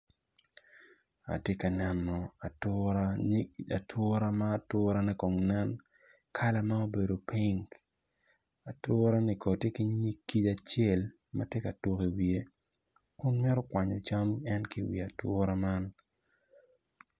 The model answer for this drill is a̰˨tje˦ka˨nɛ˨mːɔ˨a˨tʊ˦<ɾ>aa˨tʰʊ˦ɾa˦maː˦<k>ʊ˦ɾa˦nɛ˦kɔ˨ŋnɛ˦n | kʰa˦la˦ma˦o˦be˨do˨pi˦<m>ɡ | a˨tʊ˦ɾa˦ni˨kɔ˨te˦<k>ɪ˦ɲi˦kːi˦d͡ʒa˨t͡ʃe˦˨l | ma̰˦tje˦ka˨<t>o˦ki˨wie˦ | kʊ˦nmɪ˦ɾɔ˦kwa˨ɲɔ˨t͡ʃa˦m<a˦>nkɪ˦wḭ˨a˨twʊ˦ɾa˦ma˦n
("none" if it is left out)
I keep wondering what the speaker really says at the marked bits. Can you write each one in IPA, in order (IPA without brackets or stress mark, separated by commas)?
ɾ, t, ŋ, k, t, ɛ˦